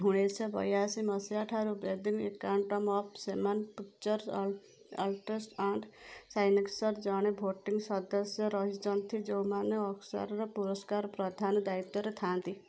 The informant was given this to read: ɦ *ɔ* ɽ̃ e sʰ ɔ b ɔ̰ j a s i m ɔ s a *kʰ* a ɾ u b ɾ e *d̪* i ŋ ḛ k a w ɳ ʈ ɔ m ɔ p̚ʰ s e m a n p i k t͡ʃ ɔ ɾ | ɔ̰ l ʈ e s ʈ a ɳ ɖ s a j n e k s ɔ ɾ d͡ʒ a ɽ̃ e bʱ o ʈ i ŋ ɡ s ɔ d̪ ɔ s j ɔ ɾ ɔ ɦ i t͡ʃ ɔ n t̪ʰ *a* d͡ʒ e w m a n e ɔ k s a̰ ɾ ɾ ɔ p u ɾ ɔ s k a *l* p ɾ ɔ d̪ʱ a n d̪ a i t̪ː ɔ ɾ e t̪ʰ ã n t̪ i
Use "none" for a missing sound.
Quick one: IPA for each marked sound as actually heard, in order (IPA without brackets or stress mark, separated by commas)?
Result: u, ʈʰ, d̪, i, ɾ